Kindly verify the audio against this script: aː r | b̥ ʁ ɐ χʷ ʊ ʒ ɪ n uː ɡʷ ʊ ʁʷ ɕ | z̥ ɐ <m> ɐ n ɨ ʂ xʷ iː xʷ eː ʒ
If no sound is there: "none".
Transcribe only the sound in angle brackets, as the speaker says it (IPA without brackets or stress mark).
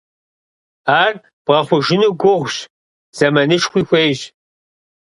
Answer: m